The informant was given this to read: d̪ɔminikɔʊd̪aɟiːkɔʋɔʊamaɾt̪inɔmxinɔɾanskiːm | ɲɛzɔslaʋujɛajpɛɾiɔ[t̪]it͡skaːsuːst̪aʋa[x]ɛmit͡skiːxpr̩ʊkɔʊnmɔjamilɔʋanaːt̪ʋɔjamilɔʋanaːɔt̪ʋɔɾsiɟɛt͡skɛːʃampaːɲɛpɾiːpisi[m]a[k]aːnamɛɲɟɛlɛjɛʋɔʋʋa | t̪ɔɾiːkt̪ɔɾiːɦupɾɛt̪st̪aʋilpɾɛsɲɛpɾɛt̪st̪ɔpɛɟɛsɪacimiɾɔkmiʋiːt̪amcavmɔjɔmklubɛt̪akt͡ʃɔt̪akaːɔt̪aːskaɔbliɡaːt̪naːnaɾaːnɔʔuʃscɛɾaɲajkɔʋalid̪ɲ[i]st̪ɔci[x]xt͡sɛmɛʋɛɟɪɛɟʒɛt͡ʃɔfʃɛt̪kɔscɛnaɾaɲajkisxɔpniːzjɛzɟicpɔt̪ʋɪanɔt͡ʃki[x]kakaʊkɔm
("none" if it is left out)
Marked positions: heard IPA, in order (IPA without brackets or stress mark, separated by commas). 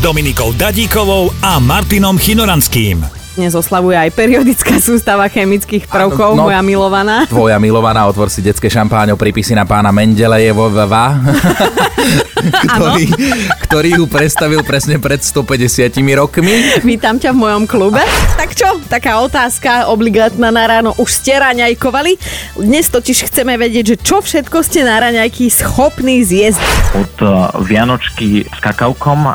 d̪, x, n, p, ɛ, ʃ, s